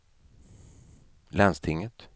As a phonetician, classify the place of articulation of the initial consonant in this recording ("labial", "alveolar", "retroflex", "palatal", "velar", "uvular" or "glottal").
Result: alveolar